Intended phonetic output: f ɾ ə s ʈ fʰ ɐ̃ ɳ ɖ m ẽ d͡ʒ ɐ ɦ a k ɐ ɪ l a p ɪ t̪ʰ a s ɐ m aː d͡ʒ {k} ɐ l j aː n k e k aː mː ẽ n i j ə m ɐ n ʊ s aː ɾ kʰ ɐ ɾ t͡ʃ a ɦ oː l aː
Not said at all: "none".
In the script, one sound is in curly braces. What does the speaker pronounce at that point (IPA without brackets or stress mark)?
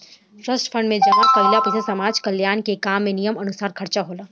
k